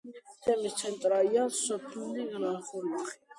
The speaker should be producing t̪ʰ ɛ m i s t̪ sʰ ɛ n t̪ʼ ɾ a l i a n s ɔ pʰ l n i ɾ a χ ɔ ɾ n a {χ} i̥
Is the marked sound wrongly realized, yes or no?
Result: no